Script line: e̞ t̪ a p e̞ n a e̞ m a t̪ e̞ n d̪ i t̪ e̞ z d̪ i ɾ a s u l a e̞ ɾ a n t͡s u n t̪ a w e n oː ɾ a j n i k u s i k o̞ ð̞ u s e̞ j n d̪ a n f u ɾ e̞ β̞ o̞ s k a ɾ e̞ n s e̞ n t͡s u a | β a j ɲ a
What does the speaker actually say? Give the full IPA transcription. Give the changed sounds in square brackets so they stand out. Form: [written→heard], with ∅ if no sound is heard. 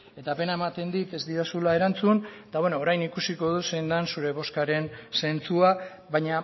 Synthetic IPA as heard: e̞ t̪ a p e̞ n a e̞ m a t̪ e̞ n d̪ i t̪ e̞ z d̪ i ɾ a s u l a e̞ ɾ a n t͡s u n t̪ a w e n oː ɾ a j n i k u s i k o̞ ð̞ u s e̞ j n d̪ a n [f→s] u ɾ e̞ β̞ o̞ s k a ɾ e̞ n s e̞ n t͡s u a | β a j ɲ a